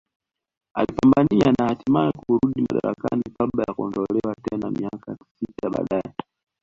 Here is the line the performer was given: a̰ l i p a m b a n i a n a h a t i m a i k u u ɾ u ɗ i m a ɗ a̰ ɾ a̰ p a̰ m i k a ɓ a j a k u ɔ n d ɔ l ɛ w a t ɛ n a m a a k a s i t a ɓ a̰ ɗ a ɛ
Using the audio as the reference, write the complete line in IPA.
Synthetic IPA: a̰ l i p a m b a n i a n a h a t i m a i k u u ɾ u ɗ i m a ɗ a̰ ɾ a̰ k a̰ n i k a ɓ a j a k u ɔ n d ɔ l ɛ w a t ɛ n a m i a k a s i t a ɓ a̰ ɗ a ɛ